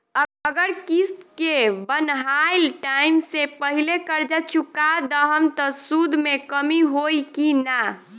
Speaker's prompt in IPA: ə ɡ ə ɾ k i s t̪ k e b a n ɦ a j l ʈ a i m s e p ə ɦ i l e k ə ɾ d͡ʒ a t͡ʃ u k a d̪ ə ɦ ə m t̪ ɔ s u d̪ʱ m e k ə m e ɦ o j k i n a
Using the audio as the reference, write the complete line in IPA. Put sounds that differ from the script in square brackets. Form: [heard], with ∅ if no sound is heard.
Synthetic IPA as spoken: ə ɡ ə ɾ k i s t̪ k e b [ə] n ɦ a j l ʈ a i m s e p ə ɦ i l e k ə ɾ d͡ʒ a t͡ʃ u k a d̪ ə ɦ ə m t̪ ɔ s u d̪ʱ m e k ə m [i] ɦ o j k i n a